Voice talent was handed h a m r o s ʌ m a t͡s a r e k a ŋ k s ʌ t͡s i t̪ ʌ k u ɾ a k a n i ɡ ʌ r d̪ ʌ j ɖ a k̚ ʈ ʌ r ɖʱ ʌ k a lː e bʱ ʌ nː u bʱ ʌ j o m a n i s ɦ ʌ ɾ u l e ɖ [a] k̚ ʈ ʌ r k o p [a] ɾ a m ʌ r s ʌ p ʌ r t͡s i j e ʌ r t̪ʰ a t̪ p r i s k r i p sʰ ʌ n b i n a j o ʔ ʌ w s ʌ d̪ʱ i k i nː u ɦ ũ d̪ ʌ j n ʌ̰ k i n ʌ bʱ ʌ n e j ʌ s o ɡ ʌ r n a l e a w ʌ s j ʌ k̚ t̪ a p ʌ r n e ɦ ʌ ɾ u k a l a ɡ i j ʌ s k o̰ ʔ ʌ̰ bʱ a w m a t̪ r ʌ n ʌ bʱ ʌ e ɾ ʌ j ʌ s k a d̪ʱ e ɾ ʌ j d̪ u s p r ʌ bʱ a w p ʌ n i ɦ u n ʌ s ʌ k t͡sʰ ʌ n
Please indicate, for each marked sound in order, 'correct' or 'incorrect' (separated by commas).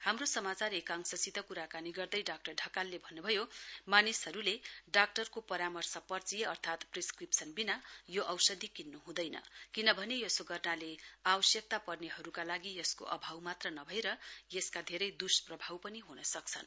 correct, incorrect